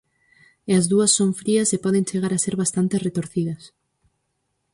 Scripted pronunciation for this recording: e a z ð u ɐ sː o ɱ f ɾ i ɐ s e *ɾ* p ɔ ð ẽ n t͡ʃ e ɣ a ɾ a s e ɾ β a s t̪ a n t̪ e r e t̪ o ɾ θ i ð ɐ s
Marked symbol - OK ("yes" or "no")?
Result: no